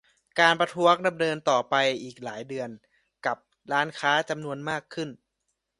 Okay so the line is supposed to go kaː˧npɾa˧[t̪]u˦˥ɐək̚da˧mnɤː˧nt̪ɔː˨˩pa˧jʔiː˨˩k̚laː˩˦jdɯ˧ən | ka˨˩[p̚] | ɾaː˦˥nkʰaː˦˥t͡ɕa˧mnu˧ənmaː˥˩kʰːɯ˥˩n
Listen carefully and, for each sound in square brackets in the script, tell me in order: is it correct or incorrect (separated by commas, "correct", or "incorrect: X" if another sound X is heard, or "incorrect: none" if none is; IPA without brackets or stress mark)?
incorrect: t̪ʰ, correct